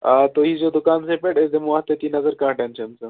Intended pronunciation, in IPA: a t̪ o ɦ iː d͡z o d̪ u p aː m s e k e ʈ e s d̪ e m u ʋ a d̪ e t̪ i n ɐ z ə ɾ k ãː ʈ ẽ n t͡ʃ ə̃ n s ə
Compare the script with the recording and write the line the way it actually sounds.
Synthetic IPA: a t̪ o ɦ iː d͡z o d̪ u k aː n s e p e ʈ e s d̪ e m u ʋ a t̪ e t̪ i n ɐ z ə ɾ k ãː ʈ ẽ n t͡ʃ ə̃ n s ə